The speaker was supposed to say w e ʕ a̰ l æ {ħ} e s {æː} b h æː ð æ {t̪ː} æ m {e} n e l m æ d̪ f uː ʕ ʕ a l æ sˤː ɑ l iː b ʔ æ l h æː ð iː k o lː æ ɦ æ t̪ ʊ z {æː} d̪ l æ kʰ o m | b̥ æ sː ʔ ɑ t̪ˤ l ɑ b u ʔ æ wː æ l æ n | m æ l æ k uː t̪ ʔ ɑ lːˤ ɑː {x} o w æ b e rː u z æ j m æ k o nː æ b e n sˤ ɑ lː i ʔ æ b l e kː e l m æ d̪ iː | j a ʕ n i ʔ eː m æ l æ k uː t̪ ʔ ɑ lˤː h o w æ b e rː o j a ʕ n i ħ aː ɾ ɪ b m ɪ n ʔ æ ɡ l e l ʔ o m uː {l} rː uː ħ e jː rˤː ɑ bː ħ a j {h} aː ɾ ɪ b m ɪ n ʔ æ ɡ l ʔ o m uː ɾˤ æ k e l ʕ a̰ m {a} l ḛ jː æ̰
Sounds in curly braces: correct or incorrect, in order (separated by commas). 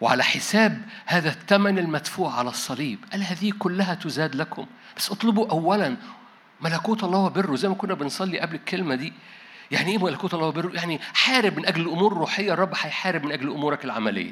correct, correct, correct, incorrect, correct, incorrect, incorrect, incorrect, incorrect